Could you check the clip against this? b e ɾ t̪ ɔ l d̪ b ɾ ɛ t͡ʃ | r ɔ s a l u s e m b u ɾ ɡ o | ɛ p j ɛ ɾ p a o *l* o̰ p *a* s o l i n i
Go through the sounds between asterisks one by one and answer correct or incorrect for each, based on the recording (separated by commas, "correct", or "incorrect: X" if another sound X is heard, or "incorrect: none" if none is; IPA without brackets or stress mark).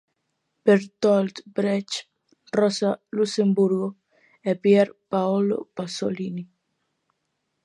correct, correct